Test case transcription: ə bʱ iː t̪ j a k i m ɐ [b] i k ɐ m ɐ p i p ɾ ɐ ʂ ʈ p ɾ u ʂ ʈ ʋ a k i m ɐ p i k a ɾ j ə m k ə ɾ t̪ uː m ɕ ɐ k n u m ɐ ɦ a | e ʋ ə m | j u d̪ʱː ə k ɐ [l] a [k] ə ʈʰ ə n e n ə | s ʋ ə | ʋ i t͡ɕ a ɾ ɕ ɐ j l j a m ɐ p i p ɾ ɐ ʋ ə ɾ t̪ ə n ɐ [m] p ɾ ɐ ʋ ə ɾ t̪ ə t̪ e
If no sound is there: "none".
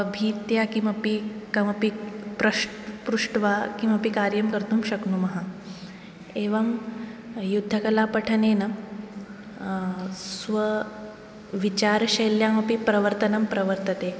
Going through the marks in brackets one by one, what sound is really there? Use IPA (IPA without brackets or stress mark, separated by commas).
p, l, p, m